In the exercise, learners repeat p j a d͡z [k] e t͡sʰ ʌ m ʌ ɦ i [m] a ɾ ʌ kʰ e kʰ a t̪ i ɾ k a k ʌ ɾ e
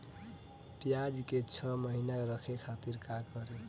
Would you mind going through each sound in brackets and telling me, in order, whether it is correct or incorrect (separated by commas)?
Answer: correct, incorrect